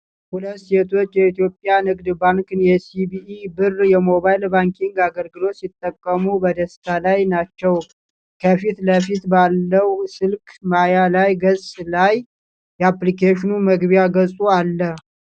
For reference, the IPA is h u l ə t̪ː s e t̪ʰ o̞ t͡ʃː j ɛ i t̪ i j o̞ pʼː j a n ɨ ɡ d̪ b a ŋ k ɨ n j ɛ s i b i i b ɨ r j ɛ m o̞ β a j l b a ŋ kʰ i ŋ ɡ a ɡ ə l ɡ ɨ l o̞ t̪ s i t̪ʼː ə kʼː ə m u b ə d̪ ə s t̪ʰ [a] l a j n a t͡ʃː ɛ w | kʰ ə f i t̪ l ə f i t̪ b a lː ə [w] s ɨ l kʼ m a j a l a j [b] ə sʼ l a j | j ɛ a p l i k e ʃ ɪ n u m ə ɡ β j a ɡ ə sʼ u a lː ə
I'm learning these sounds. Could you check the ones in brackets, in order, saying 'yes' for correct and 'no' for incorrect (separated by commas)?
yes, yes, no